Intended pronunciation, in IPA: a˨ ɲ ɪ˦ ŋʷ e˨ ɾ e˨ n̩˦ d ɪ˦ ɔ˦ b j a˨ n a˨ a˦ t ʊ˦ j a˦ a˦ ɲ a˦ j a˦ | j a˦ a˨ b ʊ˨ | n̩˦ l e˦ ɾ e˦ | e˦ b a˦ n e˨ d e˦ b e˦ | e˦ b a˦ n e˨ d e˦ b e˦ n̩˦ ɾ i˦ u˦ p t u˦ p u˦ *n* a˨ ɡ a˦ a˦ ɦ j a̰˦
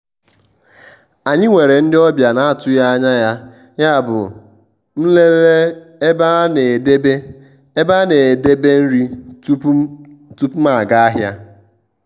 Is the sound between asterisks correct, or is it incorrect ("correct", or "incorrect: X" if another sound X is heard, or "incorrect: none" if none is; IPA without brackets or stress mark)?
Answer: incorrect: m